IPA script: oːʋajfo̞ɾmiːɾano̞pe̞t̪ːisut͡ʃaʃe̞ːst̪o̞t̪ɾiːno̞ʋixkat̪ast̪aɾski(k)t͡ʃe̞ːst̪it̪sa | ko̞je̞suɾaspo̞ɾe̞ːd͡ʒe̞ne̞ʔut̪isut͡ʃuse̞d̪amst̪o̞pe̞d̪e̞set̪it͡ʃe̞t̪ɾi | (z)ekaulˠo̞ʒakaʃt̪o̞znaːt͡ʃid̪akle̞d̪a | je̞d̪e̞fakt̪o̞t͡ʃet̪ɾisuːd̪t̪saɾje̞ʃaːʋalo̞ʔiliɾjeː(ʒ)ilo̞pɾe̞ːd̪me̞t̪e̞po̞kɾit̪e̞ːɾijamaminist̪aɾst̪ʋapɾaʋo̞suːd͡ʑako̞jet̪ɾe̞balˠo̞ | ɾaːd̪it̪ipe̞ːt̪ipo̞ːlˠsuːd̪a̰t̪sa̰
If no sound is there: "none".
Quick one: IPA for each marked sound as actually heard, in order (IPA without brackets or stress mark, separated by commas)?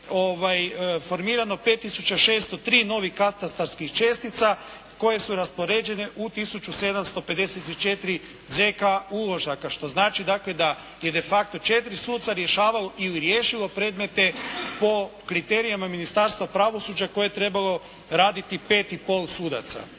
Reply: x, z, ʃ